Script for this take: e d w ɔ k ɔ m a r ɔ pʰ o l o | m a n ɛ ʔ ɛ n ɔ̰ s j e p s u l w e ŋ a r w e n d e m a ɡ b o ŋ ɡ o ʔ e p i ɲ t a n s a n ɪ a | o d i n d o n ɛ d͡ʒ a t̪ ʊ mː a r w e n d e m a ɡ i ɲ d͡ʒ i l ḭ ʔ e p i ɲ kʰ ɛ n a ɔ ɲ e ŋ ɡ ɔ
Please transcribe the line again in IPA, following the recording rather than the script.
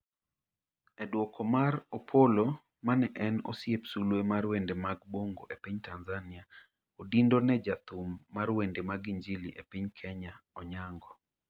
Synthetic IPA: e d w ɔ k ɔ m a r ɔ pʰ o l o | m a n ɛ ʔ ɛ n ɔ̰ s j e p s u l w e m a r w e n d e m a ɡ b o ŋ ɡ o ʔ e p i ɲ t a n z a n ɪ a | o d i n d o n ɛ d͡ʒ a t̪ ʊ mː a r w e n d e m a ɡ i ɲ d͡ʒ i l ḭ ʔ e p i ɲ kʰ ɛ ɲ a ɔ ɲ a ŋ ɡ ɔ